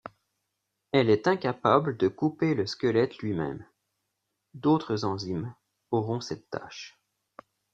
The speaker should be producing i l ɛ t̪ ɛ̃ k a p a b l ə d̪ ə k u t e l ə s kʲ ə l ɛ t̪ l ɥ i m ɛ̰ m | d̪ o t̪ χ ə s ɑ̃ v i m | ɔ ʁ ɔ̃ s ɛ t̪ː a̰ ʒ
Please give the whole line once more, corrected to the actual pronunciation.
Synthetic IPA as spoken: ɛ l ɛ t̪ ɛ̃ k a p a b l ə d̪ ə k u p e l ə s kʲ ə l ɛ t̪ l ɥ i m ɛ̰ m | d̪ o t̪ χ ə z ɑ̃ z i m | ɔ ʁ ɔ̃ s ɛ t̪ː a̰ ʃ